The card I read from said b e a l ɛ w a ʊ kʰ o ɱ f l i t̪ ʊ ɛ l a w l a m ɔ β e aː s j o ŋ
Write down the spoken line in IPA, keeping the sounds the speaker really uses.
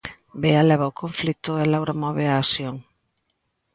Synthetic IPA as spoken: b e a l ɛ β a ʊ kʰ o ɱ f l i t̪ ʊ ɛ l a w ɾ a m ɔ β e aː s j o ŋ